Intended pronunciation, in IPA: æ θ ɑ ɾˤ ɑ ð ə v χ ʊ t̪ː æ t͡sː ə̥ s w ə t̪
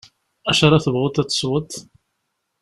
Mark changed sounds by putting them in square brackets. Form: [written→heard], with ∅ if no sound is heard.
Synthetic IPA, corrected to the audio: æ [θ→ʃ] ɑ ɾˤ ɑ [ð→θ] ə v [χ→ʁ] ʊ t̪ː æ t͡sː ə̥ s w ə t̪